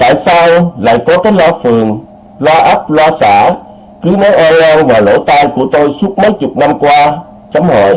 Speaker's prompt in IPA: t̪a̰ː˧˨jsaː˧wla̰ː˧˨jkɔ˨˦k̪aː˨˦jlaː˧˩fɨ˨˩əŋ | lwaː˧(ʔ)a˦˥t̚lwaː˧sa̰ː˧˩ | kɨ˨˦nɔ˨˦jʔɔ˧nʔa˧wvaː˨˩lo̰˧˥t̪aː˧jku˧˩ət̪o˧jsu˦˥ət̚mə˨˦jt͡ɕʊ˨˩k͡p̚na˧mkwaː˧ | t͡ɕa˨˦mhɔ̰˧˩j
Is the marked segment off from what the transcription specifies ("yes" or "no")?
no